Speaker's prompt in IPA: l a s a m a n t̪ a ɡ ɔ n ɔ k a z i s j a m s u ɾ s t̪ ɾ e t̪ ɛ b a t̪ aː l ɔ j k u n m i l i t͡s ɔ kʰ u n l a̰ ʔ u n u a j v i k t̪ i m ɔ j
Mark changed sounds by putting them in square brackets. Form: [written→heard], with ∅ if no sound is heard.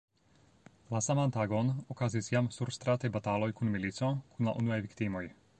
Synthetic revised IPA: l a s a m a n t̪ a ɡ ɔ n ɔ k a z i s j a m s u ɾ s t̪ ɾ [e→a] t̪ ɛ b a t̪ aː l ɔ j k u n m i l i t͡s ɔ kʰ u n l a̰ ʔ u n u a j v i k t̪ i m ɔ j